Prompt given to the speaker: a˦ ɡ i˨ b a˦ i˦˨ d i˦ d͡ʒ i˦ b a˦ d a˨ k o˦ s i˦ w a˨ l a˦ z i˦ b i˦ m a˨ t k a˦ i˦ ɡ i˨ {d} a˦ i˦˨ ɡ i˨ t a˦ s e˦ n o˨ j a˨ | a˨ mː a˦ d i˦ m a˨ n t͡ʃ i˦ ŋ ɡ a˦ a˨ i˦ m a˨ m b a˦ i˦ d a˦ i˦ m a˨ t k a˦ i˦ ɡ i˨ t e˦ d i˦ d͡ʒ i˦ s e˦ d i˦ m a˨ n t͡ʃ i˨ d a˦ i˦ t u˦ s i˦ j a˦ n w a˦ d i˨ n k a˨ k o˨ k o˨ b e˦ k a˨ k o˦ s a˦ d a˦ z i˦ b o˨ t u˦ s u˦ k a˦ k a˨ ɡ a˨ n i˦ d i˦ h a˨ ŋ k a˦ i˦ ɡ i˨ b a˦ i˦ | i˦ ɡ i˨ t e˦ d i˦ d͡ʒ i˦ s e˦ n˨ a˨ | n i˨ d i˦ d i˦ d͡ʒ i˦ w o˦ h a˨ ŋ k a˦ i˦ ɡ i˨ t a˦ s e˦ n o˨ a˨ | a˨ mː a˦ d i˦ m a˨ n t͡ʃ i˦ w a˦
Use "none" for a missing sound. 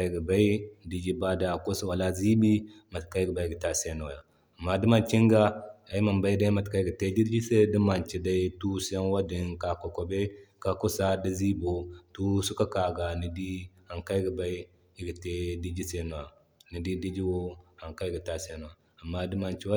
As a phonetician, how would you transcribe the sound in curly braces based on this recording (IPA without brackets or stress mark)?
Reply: b